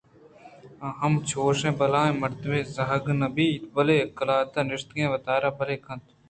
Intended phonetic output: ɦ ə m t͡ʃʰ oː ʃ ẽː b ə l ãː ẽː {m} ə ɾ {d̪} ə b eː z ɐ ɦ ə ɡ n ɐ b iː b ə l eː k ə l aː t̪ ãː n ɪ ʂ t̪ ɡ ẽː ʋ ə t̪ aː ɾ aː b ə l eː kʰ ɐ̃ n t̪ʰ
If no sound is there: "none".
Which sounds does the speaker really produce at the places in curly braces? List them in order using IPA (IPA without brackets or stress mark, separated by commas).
m, t̪